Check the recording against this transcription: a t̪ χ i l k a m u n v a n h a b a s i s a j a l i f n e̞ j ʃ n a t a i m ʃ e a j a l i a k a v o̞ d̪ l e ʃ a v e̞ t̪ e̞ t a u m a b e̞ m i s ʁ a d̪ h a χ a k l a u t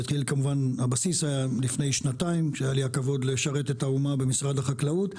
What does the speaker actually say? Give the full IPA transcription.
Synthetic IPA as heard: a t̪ χ i l k a m u v a n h a b a s i s a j a l i f n e̞ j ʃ n a t a i m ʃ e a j a l i a k a v o̞ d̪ l e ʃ a ʁ e̞ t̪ e̞ t a u m a b e̞ m i s ʁ a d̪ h a χ a k l a u t